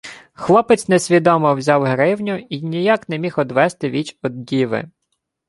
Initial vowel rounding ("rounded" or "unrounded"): rounded